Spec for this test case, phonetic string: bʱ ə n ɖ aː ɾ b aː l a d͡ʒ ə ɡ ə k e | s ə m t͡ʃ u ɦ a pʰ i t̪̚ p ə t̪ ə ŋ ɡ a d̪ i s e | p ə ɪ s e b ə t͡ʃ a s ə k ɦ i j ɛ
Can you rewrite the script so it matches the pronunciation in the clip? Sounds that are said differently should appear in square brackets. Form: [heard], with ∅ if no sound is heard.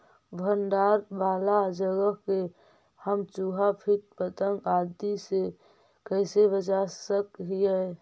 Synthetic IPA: bʱ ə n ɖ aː ɾ b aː l a d͡ʒ ə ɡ ə k e | [h] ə m t͡ʃ u ɦ a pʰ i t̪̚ p ə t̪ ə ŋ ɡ a d̪ i s e | [k] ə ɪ s e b ə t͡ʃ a s ə k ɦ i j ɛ